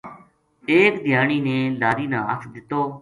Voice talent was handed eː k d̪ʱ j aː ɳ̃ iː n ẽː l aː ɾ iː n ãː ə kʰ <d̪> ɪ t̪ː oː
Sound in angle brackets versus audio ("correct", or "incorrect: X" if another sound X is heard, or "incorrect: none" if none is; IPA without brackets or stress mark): correct